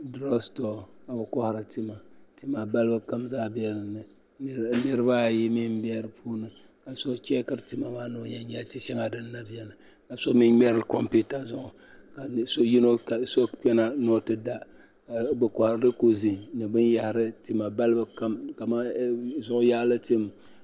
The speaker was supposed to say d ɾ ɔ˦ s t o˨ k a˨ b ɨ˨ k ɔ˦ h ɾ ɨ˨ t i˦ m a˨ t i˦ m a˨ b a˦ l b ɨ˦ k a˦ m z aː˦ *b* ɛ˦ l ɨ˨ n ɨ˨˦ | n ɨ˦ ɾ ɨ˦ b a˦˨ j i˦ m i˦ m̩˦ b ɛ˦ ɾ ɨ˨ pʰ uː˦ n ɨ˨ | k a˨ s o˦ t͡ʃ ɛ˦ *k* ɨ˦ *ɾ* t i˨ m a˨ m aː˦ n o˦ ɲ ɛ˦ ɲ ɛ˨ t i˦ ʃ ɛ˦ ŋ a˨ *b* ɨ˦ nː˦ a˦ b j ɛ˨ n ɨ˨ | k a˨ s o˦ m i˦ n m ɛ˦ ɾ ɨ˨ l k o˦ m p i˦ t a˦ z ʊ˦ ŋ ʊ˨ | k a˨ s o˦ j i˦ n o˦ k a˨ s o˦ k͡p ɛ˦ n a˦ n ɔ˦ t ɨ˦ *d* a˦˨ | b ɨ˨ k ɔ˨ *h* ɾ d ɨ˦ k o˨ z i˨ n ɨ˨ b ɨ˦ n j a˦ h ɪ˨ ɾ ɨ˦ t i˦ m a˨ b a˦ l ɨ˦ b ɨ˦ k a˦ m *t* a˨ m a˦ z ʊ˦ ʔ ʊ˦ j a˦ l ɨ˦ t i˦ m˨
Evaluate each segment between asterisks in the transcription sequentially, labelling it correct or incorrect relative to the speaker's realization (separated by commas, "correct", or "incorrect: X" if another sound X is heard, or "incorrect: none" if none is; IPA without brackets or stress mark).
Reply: correct, correct, correct, incorrect: d, correct, correct, incorrect: k